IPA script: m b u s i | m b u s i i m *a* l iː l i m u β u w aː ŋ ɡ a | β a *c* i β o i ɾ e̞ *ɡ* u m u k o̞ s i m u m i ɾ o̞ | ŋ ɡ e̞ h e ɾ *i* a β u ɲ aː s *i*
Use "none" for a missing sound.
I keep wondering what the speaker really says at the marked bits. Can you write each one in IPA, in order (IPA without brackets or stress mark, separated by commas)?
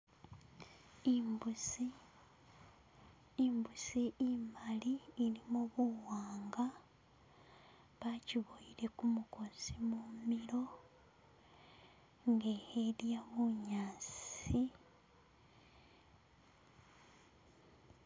a, c, k, j, i